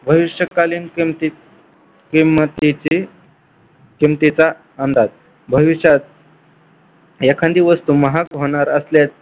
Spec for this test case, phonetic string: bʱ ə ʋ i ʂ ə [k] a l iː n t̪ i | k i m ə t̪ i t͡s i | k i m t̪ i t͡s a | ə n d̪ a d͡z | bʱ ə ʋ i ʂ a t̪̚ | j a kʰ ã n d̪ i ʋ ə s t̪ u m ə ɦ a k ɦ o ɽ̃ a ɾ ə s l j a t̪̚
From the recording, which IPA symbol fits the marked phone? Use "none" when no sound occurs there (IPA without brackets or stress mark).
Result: k